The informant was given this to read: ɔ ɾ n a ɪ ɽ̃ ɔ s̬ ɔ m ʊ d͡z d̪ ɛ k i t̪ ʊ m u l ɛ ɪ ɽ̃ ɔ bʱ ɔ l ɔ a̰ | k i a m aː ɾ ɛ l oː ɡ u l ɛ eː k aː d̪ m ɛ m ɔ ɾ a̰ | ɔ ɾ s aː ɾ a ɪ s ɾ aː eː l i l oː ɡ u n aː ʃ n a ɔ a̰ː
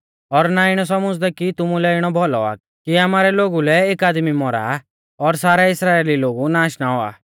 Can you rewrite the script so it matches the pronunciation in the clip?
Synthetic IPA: ɔ ɾ n a ɪ ɽ̃ ɔ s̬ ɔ m ʊ d͡z d̪ ɛ k i t̪ ʊ m u l ɛ ɪ ɽ̃ ɔ bʱ ɔ l ɔ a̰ | k i a m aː ɾ ɛ l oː ɡ u l ɛ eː k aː d̪ m i m ɔ ɾ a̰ | ɔ ɾ s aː ɾ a ɪ s ɾ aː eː l i l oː ɡ u n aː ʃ n a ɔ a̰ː